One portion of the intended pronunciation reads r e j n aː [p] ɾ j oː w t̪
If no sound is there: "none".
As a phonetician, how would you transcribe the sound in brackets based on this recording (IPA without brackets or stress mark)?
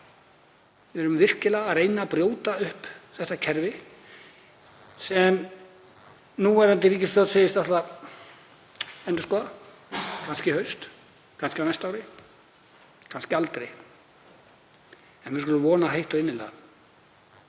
p